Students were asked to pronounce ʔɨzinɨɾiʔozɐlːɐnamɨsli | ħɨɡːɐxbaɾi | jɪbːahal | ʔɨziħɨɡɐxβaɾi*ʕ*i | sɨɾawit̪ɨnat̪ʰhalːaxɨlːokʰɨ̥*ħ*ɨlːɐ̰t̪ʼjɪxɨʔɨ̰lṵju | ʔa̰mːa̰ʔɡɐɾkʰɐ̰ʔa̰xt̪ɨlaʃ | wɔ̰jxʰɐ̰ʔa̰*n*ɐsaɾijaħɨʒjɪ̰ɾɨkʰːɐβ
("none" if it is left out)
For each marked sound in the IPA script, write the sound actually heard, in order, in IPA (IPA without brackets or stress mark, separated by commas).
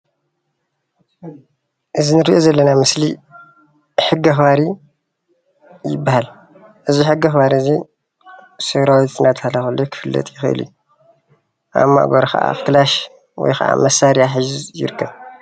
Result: z, f, m